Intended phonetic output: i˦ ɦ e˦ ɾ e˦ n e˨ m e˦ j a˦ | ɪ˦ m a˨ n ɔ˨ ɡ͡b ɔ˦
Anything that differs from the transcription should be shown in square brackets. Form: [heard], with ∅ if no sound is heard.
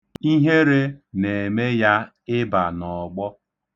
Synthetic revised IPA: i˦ ɦ e˦ ɾ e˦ n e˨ m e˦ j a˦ | ɪ˦ [b] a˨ n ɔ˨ ɡ͡b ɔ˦